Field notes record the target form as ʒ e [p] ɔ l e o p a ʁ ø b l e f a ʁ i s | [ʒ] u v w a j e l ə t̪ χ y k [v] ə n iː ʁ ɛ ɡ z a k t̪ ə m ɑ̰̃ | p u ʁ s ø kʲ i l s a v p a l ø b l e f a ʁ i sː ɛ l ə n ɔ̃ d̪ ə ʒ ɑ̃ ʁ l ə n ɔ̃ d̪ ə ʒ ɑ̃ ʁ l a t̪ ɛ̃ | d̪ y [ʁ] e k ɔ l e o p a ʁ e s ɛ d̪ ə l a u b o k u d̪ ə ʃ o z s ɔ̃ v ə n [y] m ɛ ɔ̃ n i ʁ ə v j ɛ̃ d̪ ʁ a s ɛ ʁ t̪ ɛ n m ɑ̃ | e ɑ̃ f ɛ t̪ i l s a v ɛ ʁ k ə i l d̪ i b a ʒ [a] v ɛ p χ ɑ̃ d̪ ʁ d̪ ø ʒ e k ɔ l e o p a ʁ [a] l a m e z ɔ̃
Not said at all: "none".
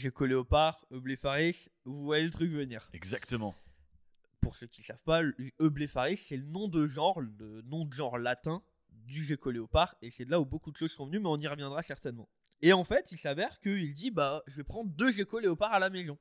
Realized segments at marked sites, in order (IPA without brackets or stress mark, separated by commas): k, v, v, ʒ, y, ə, a